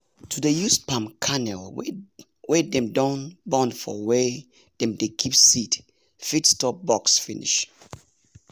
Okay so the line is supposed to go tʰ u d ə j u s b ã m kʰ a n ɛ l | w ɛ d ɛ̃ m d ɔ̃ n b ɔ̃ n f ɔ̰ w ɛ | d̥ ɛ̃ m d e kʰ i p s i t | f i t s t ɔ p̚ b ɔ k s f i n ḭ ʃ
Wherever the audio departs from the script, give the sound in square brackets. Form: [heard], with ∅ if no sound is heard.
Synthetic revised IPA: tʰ u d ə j u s [p] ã m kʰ a n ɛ l | w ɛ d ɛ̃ m d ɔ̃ n b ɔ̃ n f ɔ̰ w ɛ | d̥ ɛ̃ m d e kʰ i p s i t | f i t s t ɔ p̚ b ɔ k s f i n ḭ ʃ